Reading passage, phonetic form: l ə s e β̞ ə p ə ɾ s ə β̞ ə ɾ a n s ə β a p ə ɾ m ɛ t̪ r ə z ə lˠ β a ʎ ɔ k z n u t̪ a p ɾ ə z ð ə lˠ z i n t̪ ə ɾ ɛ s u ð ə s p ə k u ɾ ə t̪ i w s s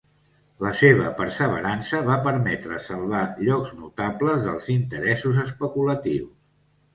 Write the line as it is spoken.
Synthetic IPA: l ə s e β̞ ə p ə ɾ s ə β̞ ə ɾ a n s ə β a p ə ɾ m ɛ t̪ ɾ ə s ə lˠ β a ʎ ɔ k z n u t̪ a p l ə z ð ə lˠ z i n t̪ ə ɾ ɛ s u z ə s p ə k u l ə t̪ i w s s

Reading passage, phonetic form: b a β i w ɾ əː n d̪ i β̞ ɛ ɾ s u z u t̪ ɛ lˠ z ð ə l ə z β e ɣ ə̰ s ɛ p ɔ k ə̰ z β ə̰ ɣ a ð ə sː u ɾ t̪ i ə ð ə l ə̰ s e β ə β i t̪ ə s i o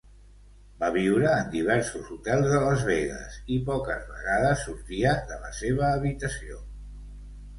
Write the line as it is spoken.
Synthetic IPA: b a β i w ɾ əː n d̪ i β̞ ɛ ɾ s u z u t̪ ɛ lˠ z ð ə l ə z β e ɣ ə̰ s i p ɔ k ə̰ z β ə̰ ɣ a ð ə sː u ɾ t̪ i ə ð ə l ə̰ s e β əː β i t̪ ə s i o

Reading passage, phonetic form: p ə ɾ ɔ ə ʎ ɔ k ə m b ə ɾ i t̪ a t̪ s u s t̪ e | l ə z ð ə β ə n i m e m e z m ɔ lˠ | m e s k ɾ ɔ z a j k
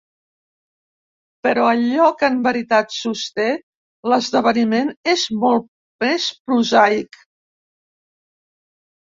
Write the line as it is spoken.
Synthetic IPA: p ə ɾ ɔ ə ʎ ɔ k ə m b ə ɾ i t̪ a t̪ s u s t̪ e | l ə z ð ə β ə n i m e n e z m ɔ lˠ | m e s p ɾ u z a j k

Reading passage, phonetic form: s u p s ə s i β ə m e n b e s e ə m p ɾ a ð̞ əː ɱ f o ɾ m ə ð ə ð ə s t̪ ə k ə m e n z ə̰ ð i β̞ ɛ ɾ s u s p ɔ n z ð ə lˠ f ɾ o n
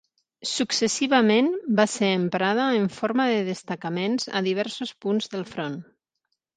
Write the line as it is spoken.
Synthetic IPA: s u k s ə s i β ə m e n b a s e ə m p ɾ a ð̞ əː ɱ f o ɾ m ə ð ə ð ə s t̪ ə k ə m e n z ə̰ ð i β̞ ɛ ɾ s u s p u n z ð ə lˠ f ɾ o n

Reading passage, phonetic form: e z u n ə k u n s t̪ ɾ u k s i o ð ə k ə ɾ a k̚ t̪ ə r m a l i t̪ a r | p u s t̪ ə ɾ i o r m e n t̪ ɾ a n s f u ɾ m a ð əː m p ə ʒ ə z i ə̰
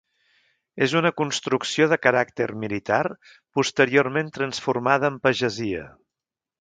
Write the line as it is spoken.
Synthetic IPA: e z u n ə k u n s t̪ ɾ u k s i o ð ə k ə ɾ a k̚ t̪ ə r m i l i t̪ a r | p u s t̪ ə ɾ i o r m e n t̪ ɾ ə n s f u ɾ m a ð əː m p ə ʒ ə z i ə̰

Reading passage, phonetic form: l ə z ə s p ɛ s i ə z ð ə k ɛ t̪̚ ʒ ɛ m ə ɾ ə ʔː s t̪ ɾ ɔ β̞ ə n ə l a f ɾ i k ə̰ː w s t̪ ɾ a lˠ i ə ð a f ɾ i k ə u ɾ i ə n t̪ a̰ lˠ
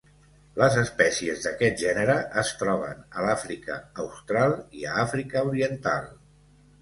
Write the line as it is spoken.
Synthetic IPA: l ə z ə s p ɛ s i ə z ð ə k ɛ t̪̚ ʒ ɛ n ə ɾ ə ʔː s t̪ ɾ ɔ β̞ ə n ə l a f ɾ i k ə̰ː w s t̪ ɾ a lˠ i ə a f ɾ i k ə u ɾ i ə n t̪ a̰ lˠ

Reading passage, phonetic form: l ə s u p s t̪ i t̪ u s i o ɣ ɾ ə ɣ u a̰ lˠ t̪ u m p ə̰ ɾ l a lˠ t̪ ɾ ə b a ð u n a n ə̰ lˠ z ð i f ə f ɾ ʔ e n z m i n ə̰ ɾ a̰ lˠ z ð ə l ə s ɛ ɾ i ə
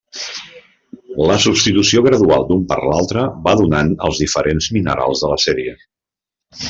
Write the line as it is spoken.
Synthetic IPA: l ə s u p s t̪ i t̪ u s i o ɣ ɾ ə ð u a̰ lˠ d̪ u m p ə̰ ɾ l a lˠ t̪ ɾ ə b a ð u n a n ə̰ lˠ z ð i f ə ɾ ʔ e n z m i n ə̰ ɾ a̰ lˠ z ð ə l ə s ɛ ɾ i ə

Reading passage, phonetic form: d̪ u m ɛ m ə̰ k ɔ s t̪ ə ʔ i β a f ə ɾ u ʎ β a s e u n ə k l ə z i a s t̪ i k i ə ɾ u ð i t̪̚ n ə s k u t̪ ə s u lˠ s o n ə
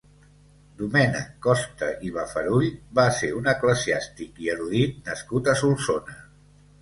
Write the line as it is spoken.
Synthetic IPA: d̪ u m ɛ n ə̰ k ɔ s t̪ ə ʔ i β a f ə ɾ u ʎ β a s e u n ə k l ə z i a s t̪ i k i ə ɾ u ð i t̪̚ n ə s k u t̪ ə s u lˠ s o n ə

